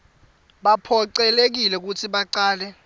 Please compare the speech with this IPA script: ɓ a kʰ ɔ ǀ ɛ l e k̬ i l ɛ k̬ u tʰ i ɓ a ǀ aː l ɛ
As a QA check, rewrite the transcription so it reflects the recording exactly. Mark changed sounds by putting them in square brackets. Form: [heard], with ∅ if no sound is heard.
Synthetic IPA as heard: ɓ a [pʰ] ɔ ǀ ɛ l e k̬ i l ɛ k̬ u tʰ i ɓ a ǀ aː l ɛ